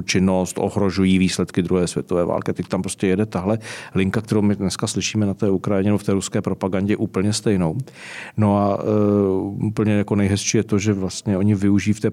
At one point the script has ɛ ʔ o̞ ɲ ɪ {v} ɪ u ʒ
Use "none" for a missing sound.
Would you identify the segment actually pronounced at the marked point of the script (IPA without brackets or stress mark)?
v